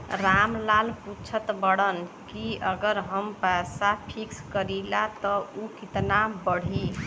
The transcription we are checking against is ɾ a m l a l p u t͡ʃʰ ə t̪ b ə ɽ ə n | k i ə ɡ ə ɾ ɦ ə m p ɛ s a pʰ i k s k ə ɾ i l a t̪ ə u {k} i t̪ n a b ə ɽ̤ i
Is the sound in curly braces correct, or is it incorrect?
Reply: correct